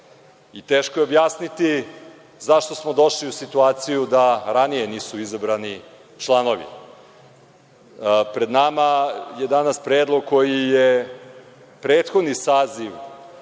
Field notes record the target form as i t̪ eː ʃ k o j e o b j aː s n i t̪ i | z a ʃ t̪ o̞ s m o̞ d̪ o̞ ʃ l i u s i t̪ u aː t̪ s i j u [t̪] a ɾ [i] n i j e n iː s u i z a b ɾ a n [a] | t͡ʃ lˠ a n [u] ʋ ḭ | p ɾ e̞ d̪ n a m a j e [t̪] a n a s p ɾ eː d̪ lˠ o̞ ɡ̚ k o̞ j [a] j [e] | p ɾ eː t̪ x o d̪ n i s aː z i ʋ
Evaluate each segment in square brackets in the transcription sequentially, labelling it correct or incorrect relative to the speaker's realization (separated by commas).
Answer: incorrect, incorrect, incorrect, incorrect, incorrect, incorrect, correct